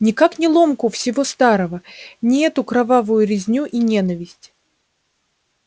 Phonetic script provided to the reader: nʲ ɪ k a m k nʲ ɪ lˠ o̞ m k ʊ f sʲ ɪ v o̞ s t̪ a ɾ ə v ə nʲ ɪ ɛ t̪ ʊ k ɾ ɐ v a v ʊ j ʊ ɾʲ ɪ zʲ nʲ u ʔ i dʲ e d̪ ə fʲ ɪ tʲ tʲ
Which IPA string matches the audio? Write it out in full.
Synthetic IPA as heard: nʲ ɪ k a k nʲ ɪ lˠ o̞ m k ʊ f sʲ ɪ v o̞ s t̪ a ɾ ə v ə nʲ ɪ ɛ t̪ ʊ k ɾ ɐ v a v ʊ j ʊ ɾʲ ɪ zʲ nʲ u ʔ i nʲ e n̪ ə vʲ ɪ sʲ tʲ